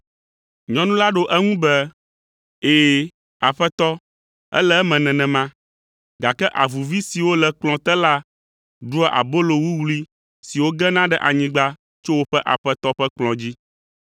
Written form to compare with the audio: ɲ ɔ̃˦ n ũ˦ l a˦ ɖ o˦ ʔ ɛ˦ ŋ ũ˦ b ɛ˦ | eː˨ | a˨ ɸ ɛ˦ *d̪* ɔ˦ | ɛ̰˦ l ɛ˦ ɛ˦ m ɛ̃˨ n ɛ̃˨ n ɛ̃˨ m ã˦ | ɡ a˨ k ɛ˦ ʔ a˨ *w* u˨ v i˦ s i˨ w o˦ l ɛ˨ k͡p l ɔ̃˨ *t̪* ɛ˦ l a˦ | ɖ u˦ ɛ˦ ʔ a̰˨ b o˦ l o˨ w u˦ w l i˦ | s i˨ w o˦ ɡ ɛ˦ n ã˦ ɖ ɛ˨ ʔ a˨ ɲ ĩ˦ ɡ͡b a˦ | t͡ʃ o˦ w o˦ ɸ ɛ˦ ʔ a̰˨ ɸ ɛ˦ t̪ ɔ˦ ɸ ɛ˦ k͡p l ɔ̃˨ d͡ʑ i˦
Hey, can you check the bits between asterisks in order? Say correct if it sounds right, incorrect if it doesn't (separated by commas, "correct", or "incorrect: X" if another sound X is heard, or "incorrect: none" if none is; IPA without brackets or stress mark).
incorrect: t̪, incorrect: v, correct